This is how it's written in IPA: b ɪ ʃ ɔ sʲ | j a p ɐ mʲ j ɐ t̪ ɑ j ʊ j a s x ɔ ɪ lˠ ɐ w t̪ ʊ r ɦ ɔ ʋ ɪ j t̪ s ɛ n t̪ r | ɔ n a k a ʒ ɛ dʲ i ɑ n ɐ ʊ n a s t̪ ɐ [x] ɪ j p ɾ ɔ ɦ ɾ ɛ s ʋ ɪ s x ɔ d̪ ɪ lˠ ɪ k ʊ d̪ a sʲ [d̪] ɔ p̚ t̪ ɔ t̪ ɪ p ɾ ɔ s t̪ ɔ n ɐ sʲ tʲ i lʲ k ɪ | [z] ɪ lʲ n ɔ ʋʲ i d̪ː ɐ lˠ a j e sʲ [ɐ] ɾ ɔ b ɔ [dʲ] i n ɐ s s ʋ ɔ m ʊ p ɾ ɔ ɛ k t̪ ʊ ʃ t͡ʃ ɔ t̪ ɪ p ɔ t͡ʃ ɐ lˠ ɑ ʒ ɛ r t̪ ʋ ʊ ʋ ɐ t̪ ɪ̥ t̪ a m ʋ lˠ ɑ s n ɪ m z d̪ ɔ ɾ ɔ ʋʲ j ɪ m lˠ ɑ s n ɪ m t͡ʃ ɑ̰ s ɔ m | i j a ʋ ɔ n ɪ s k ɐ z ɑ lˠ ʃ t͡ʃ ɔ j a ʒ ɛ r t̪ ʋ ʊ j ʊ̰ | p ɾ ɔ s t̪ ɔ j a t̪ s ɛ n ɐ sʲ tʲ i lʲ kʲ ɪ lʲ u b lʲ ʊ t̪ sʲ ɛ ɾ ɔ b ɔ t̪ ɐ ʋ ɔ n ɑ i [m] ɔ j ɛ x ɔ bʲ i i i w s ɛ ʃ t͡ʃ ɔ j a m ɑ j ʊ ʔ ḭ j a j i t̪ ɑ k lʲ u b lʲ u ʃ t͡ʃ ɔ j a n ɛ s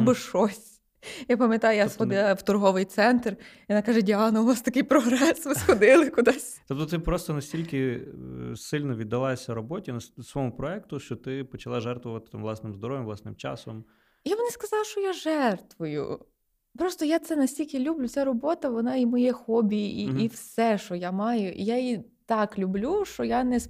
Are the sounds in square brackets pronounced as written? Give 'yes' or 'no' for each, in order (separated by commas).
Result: no, no, no, yes, no, yes